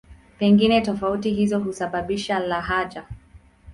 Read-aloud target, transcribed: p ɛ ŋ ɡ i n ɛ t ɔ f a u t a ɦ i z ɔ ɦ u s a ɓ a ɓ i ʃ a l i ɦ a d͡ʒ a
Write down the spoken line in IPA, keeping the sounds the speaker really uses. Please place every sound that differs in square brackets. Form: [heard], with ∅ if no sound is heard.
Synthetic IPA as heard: p ɛ ŋ ɡ i n ɛ t ɔ f a u t [i] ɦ i z ɔ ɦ u s a ɓ a ɓ i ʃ a l [a] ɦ a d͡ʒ a

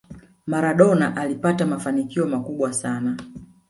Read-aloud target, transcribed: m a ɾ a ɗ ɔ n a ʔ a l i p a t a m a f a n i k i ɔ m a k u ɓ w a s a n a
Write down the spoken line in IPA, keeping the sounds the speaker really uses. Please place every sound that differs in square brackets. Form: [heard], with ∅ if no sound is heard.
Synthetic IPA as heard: m a ɾ a ɗ ɔ n a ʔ a l i p a t a m a f a n i k i ɔ m a k u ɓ w a s a n a

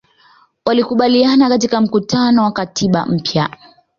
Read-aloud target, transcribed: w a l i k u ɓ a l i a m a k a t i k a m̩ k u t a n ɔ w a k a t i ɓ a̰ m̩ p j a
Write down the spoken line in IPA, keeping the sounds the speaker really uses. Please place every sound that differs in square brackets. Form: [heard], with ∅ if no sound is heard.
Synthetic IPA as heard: w a l i k u ɓ a l i a [n] a k a t i k a m̩ k u t a n ɔ w a k a t i ɓ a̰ m̩ p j a

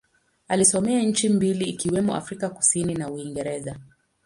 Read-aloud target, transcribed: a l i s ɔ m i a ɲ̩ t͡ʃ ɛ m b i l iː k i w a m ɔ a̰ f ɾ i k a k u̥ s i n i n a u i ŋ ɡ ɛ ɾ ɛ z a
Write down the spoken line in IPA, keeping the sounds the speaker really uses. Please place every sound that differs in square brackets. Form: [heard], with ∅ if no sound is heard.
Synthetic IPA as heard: a l i s ɔ m [ɛ] a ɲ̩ t͡ʃ [i] m b i l iː k i w [ɛ] m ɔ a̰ f ɾ i k a k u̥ s i n i n a u i ŋ ɡ ɛ ɾ ɛ z a

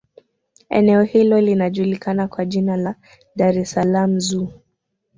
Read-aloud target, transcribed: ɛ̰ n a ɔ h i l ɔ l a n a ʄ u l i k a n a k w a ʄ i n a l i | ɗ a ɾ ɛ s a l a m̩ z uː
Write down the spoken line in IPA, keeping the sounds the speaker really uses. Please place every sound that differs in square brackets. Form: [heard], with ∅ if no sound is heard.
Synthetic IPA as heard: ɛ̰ n [ɛ] ɔ h i l ɔ l [i] n a ʄ u l i k a n a k w a ʄ i n a l [a] | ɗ a ɾ ɛ s a l a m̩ z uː

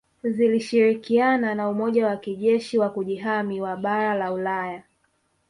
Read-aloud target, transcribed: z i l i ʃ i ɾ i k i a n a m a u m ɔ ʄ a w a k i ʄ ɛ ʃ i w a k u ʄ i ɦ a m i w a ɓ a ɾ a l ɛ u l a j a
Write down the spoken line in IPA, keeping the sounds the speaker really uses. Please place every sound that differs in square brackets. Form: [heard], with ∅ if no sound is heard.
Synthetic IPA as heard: z i l i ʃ i ɾ i k i a n a [n] a u m ɔ ʄ a w a k i ʄ ɛ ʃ i w a k u ʄ i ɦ a m i w a ɓ a ɾ a l [a] u l a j a

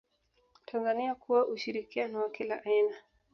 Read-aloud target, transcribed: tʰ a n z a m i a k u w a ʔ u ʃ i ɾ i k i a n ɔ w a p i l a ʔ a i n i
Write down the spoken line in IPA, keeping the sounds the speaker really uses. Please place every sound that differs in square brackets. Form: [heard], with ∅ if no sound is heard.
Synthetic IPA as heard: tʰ a n z a [n] i a k u w a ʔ u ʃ i ɾ i k i a n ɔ w a [k] i l a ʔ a i n [a]

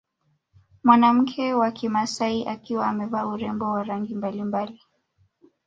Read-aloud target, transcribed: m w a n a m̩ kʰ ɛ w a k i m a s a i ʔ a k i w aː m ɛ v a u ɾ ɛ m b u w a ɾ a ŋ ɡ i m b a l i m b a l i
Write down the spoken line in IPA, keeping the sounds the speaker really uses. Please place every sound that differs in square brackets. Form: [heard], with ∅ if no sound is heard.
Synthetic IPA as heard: m w a n a m̩ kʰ ɛ w a k i m a s a i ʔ a k i w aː m ɛ v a u ɾ ɛ m b [ɔ] w a ɾ a ŋ ɡ i m b a l i m b a l i

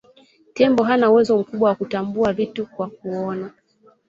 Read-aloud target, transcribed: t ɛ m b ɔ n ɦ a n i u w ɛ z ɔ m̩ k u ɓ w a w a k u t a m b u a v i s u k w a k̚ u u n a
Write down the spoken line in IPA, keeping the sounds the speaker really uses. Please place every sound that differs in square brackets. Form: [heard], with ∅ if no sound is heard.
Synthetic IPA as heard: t ɛ m b ɔ [∅] ɦ a n [a] u w ɛ z ɔ m̩ k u ɓ w a w a k u t a m b u a v i [t] u k w a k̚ u [ɔ] n a

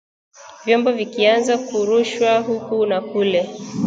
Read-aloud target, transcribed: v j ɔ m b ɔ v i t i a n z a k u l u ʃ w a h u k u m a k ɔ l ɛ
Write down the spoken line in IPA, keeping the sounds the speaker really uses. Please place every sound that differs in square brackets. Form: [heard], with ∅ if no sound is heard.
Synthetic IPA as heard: v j ɔ m b ɔ v i [k] i a n z a k u [ɾ] u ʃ w a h u k u [n] a k [u] l ɛ

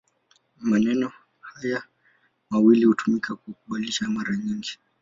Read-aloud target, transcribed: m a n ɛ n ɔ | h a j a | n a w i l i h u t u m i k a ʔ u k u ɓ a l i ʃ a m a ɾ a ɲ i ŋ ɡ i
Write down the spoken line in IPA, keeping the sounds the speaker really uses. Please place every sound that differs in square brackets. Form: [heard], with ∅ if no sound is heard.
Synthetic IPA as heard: m a n ɛ n ɔ | h a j a | [m] a w i l i h u t u m i k a [k] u k u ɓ a l i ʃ a m a ɾ a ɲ i ŋ ɡ i

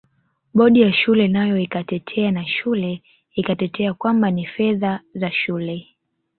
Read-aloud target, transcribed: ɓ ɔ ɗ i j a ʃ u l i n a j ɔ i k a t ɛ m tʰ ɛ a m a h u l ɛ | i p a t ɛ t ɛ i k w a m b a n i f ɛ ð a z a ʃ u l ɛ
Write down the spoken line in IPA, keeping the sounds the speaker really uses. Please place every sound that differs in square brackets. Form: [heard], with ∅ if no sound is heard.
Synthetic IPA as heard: ɓ ɔ ɗ i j a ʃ u l [ɛ] n a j ɔ i k a t ɛ [∅] tʰ ɛ a [n] a [ʃ] u l ɛ | i [k] a t ɛ t ɛ [a] k w a m b a n i f ɛ ð a z a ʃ u l ɛ

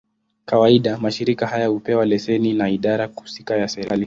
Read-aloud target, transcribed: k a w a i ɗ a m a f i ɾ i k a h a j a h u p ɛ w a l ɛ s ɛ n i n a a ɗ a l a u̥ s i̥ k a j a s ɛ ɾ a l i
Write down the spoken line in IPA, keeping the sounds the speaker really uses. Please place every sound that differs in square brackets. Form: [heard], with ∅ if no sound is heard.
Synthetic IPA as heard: k a w a i ɗ a m a [ʃ] i ɾ i k a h a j a h u p ɛ w a l ɛ s ɛ n i n a [i] ɗ a [ɾ] a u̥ s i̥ k a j a s ɛ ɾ a l i

